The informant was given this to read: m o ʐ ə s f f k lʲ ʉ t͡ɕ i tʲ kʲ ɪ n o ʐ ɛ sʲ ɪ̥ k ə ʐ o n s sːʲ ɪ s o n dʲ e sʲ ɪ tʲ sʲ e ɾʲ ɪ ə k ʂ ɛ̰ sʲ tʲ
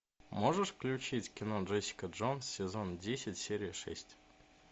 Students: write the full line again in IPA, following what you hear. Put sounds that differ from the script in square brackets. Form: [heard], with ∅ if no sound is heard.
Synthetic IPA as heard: m o ʐ ə [ʂ] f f k lʲ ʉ t͡ɕ i tʲ kʲ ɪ n o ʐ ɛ sʲ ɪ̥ k ə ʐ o n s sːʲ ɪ [z] o n dʲ e sʲ ɪ tʲ sʲ e ɾʲ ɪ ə [∅] ʂ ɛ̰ sʲ tʲ